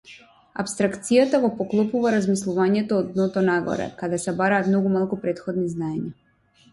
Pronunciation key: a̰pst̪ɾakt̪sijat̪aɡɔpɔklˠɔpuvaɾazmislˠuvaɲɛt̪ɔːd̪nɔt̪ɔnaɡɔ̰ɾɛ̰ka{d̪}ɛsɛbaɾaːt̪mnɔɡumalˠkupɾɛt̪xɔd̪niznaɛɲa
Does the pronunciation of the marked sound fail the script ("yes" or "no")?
no